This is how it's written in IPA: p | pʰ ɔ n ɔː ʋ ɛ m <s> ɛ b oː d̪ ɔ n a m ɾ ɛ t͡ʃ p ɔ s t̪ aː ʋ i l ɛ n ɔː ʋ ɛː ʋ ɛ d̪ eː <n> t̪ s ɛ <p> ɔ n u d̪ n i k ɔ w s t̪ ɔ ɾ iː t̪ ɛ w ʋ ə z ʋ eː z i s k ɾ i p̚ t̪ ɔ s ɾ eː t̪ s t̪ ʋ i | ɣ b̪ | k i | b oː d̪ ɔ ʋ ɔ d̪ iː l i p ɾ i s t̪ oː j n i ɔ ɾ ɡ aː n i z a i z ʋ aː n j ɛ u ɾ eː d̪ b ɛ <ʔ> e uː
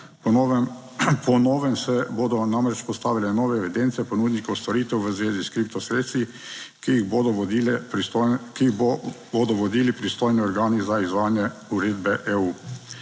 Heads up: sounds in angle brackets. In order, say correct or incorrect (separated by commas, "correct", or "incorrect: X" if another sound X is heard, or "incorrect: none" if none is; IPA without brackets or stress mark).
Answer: correct, correct, correct, correct